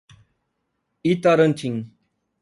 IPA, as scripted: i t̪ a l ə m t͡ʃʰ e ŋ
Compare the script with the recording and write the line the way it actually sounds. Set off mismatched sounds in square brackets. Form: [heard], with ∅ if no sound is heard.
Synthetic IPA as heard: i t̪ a [ɾ] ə [n] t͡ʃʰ [i] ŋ